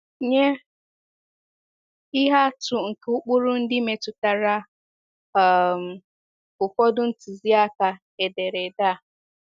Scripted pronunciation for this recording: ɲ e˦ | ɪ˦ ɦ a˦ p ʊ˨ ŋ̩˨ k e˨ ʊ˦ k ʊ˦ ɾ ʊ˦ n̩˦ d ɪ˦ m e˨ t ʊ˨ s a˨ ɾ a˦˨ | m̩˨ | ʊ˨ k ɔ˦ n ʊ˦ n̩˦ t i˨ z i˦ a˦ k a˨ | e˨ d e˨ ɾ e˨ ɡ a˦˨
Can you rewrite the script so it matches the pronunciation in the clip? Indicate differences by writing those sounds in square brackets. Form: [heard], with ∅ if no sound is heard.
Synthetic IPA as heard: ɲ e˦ | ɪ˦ ɦ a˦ [t] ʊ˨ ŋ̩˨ k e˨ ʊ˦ [k͡p] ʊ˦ ɾ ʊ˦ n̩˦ d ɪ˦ m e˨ t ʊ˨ [t] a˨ ɾ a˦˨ | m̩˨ | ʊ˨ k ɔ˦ [d] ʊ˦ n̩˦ t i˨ z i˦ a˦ k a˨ | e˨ d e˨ ɾ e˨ [d] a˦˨